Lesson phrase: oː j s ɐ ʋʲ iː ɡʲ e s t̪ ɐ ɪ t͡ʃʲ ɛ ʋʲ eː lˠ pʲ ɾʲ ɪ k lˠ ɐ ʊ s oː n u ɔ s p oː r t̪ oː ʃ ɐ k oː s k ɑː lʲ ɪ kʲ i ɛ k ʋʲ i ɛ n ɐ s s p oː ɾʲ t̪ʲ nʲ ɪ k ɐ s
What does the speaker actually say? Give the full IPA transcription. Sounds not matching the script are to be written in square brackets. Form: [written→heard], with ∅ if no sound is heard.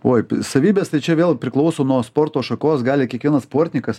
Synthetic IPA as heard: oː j s ɐ ʋʲ iː [ɡʲ→bʲ] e s t̪ ɐ ɪ t͡ʃʲ ɛ ʋʲ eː lˠ pʲ ɾʲ ɪ k lˠ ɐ ʊ s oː n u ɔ s p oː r t̪ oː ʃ ɐ k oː s [k→ɡ] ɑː lʲ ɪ kʲ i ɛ k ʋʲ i ɛ n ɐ s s p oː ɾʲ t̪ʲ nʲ ɪ k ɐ s